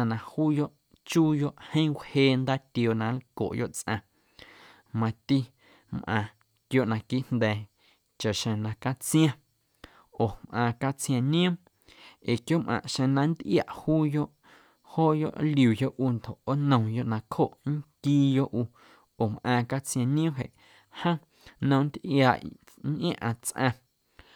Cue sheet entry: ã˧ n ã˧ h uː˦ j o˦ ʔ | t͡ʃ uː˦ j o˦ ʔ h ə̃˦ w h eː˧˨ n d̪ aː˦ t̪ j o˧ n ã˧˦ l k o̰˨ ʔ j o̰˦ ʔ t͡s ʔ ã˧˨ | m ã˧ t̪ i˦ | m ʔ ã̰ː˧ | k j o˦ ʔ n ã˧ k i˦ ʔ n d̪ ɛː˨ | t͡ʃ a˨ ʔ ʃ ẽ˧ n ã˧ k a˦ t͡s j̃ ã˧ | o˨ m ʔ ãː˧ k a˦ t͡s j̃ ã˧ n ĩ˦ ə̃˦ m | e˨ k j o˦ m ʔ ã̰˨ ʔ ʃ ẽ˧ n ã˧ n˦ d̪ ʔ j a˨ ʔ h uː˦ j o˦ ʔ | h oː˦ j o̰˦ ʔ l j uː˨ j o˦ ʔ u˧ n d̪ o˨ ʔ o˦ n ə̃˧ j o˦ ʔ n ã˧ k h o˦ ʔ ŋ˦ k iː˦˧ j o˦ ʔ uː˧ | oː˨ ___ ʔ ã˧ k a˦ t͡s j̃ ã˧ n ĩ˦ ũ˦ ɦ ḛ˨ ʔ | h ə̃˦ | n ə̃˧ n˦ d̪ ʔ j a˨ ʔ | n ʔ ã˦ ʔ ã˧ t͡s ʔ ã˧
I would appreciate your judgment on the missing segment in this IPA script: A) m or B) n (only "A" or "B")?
A